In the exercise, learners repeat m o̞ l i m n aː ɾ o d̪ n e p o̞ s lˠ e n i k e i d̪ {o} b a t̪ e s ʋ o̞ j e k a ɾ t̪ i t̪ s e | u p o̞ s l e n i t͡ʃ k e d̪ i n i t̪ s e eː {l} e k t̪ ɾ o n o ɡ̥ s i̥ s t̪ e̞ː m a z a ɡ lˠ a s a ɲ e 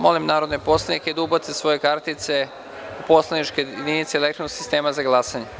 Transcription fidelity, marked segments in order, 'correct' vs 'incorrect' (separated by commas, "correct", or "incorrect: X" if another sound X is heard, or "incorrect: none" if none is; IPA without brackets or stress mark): incorrect: u, correct